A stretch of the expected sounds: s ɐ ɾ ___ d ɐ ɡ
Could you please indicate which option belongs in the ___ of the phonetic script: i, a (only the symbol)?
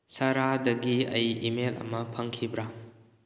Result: a